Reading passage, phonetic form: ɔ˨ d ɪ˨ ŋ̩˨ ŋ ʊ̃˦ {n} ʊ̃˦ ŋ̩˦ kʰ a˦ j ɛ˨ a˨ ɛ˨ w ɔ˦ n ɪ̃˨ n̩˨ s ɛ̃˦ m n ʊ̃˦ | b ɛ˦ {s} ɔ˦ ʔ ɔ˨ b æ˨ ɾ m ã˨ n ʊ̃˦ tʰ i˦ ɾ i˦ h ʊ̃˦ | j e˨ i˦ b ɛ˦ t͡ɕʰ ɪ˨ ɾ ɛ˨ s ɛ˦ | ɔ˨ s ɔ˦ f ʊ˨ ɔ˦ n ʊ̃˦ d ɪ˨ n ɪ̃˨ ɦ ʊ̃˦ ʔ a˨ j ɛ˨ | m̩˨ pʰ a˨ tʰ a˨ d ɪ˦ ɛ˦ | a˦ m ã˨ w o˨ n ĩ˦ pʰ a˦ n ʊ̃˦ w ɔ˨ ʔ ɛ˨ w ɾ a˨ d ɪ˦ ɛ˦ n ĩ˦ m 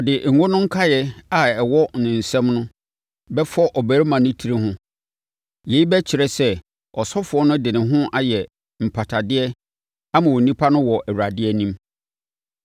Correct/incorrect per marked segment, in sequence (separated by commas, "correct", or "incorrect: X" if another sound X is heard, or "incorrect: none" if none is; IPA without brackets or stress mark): correct, incorrect: f